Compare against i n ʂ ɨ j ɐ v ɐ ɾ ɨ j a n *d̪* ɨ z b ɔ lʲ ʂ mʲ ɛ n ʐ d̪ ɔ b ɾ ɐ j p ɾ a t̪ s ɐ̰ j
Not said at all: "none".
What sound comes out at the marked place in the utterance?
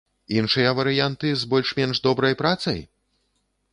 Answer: t̪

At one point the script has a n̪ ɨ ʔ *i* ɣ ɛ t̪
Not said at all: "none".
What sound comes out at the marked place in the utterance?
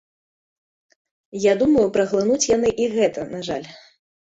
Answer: i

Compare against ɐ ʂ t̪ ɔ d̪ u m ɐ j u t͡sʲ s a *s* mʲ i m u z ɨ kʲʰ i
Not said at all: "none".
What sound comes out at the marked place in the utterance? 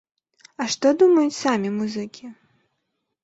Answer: none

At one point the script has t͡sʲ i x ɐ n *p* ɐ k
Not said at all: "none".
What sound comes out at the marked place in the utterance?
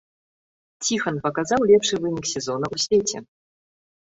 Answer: p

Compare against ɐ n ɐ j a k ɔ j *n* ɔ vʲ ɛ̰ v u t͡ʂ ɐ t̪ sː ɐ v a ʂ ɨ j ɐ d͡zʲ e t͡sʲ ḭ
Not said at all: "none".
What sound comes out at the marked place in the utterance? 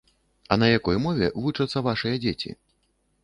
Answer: m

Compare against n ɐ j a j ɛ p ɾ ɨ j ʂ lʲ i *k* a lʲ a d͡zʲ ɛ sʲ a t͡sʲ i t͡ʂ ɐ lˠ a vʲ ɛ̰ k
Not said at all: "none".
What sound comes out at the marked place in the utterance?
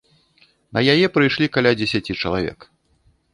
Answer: k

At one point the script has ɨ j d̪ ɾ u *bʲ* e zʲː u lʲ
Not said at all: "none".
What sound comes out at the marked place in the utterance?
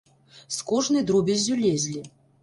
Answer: bʲ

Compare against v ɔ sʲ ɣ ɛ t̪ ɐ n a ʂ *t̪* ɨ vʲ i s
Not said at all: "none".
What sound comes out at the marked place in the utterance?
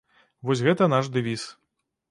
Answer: d̪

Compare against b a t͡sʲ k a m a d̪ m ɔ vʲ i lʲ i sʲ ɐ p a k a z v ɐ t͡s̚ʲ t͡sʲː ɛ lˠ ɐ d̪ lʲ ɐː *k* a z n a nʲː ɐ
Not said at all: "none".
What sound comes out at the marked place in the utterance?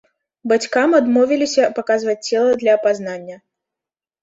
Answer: p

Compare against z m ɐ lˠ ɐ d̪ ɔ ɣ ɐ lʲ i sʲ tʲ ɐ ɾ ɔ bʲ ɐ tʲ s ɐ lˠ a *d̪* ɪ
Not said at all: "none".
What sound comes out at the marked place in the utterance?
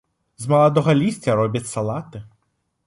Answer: t̪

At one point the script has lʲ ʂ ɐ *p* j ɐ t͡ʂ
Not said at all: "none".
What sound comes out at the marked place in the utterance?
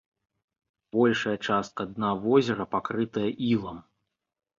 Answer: none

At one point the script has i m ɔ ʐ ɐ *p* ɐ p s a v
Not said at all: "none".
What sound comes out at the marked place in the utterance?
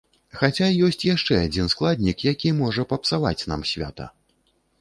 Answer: p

